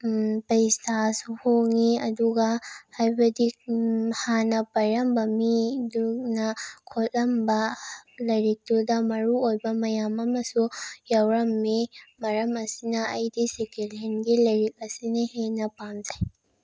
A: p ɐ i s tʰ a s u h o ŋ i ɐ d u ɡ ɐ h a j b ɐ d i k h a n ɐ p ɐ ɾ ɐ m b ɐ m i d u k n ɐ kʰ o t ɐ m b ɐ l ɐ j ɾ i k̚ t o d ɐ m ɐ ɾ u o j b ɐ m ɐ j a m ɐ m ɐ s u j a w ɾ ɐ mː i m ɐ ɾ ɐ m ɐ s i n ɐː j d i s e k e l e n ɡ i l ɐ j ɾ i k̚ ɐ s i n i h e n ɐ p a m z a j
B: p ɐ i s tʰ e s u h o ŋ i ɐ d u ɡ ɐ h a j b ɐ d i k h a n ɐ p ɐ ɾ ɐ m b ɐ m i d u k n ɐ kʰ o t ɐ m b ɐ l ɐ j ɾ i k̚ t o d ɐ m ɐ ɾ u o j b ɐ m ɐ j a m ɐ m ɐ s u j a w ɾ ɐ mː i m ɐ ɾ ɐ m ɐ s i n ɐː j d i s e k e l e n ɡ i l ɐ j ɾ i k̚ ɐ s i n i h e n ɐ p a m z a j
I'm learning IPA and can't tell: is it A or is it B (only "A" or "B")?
A